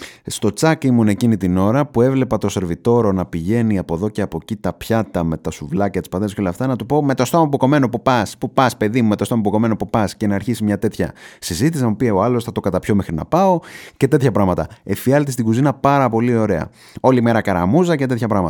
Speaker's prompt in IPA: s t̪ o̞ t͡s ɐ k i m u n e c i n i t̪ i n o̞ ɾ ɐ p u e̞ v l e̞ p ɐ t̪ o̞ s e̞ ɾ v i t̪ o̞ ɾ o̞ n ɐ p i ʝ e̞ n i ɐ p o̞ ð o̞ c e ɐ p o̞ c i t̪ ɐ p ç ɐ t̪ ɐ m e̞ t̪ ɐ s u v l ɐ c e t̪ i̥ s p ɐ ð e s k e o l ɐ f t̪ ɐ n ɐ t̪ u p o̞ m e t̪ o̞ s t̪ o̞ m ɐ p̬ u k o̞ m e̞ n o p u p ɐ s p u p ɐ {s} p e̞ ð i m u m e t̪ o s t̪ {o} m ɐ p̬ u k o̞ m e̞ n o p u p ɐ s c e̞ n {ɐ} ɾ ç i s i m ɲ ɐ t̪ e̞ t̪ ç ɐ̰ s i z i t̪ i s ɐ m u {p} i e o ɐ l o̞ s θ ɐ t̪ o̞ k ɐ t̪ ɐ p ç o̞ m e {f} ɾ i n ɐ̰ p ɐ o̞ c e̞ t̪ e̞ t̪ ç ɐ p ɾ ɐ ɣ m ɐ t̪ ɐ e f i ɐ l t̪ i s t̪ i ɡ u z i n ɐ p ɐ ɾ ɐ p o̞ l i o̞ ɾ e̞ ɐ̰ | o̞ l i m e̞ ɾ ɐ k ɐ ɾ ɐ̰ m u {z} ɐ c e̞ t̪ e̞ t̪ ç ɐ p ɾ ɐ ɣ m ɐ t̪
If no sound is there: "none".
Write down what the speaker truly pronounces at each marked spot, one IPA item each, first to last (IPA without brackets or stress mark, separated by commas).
s, o, ɐː, p, x, z